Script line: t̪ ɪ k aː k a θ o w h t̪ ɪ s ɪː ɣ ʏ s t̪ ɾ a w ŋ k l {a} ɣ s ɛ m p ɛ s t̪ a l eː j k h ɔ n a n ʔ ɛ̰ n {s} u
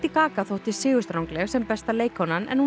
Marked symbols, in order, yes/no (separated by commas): no, no